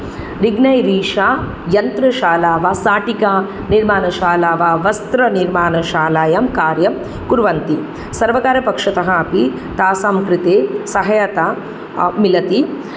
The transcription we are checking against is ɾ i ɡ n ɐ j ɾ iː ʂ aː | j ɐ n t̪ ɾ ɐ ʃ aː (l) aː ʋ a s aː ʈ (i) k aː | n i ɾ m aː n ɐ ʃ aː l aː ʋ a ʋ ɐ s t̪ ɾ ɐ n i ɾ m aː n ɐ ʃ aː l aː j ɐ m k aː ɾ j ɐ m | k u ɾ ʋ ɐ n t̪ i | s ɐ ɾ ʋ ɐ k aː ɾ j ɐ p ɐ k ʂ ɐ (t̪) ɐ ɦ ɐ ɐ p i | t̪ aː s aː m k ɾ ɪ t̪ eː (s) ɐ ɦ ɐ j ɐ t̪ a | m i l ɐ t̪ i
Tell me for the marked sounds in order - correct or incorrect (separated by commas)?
correct, correct, correct, correct